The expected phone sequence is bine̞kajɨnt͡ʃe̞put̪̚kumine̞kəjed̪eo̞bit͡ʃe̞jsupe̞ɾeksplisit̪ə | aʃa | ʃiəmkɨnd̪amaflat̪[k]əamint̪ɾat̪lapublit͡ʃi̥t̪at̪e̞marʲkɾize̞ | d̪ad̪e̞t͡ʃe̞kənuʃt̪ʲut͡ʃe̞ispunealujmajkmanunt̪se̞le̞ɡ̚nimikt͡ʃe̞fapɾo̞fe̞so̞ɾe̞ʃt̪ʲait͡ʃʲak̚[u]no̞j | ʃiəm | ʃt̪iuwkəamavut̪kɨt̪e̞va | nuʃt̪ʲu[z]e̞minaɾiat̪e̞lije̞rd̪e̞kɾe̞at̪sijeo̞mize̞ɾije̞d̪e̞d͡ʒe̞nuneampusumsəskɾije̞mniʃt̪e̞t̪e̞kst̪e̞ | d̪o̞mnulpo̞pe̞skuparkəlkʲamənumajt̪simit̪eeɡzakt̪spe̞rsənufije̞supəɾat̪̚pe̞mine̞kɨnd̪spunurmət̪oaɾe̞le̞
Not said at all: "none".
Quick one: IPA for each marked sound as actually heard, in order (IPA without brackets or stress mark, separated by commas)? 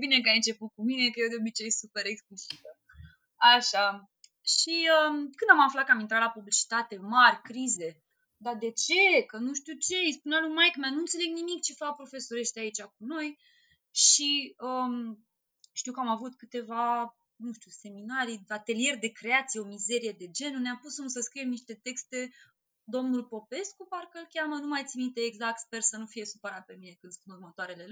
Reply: k, u, s